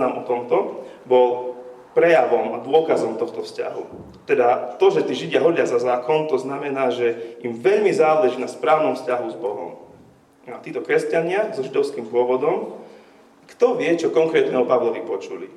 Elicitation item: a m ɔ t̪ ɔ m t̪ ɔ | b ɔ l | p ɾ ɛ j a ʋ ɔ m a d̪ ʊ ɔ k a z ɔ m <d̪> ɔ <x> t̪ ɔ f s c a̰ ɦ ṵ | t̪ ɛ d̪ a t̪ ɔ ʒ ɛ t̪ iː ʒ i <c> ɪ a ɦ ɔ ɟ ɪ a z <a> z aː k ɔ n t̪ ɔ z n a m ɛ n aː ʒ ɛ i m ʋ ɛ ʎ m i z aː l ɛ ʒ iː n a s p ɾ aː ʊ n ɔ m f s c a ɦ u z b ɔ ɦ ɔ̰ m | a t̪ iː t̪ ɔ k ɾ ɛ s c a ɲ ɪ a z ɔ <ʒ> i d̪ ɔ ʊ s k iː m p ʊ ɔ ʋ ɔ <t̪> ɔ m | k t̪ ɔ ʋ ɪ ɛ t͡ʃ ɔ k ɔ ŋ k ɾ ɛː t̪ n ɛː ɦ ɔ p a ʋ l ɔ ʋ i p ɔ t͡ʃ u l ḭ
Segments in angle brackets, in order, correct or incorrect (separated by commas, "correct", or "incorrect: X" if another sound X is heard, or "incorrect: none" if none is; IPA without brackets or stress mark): incorrect: t̪, correct, incorrect: ɟ, correct, correct, incorrect: d̪